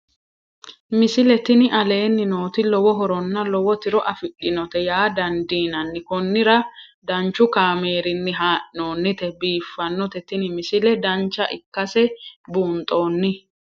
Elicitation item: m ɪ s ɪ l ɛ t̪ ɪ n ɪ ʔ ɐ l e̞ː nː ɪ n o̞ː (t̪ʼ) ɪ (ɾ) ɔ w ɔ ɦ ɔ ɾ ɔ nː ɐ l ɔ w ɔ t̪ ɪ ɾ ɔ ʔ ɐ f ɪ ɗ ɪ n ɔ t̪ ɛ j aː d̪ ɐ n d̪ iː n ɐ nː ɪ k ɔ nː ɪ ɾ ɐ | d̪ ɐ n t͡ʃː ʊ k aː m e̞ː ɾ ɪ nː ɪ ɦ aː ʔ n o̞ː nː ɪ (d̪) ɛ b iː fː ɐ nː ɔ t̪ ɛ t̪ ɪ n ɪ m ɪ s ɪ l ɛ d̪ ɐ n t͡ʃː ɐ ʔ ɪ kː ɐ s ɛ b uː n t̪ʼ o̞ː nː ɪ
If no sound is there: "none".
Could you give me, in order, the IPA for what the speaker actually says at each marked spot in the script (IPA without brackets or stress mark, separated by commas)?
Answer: t̪, l, t̪